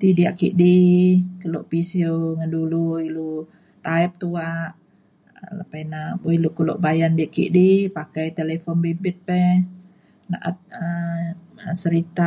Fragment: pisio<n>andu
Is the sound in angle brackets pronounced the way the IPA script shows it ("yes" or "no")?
no